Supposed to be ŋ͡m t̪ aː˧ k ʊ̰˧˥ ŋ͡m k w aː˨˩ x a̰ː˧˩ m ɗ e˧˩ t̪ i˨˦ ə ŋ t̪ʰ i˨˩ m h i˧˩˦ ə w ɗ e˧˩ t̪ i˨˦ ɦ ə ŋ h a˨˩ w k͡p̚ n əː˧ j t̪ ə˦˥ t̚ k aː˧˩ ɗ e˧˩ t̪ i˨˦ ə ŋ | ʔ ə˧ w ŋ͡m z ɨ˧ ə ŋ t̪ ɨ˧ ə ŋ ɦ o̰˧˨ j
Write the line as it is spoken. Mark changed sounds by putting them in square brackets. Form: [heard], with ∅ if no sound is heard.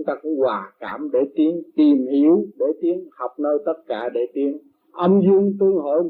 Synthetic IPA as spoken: ŋ͡m t̪ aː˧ k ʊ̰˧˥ ŋ͡m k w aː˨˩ [k] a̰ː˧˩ m ɗ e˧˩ t̪ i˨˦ ə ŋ [t̪] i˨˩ m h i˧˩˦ ə w ɗ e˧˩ t̪ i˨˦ [∅] ə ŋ h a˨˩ w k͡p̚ n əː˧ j t̪ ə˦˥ t̚ k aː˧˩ ɗ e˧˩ t̪ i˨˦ ə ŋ | ʔ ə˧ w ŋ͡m z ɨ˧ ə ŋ t̪ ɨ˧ ə ŋ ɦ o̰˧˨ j